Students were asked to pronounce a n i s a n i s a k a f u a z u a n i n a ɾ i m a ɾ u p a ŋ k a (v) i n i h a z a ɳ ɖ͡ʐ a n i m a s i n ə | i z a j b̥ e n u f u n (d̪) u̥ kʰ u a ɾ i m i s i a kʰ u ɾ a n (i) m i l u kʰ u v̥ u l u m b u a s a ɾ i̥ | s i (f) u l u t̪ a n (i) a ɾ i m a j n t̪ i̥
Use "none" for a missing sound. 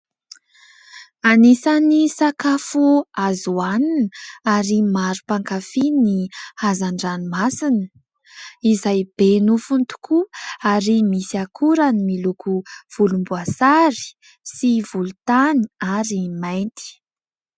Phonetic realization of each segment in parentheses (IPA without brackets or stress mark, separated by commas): f, t̪, i, v, i